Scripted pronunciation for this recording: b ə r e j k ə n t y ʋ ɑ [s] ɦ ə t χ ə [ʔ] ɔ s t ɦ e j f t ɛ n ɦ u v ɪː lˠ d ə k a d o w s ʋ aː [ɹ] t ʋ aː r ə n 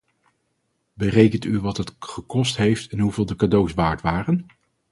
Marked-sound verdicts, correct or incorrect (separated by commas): incorrect, incorrect, correct